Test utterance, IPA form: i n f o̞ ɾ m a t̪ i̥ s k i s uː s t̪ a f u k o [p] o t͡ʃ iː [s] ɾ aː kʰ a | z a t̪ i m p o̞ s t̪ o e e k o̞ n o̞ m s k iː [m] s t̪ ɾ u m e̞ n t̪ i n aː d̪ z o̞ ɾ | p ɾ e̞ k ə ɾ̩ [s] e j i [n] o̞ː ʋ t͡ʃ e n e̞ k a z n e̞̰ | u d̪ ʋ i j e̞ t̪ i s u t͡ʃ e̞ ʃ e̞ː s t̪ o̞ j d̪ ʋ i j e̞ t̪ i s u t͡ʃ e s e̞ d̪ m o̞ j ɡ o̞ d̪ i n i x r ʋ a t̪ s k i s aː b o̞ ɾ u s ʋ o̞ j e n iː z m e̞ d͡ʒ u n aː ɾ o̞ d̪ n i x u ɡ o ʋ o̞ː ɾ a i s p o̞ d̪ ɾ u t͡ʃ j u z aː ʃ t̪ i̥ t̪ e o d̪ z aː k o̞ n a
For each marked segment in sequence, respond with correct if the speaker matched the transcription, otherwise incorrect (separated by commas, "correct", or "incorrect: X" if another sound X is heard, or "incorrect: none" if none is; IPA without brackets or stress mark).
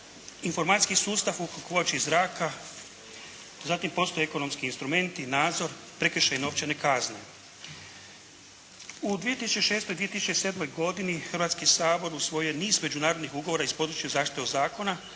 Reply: incorrect: k, incorrect: z, incorrect: n, incorrect: ʃ, correct